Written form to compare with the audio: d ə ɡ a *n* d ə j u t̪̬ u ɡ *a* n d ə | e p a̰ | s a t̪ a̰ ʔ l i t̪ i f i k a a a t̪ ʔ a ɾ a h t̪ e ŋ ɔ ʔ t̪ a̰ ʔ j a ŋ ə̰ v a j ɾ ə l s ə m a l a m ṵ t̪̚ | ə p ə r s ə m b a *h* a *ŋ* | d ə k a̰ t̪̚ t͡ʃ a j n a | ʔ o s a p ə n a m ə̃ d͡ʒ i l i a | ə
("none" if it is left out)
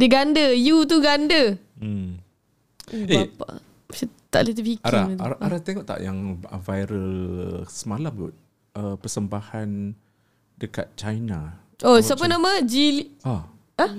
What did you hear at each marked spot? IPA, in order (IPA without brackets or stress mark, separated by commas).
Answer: n, a, h, n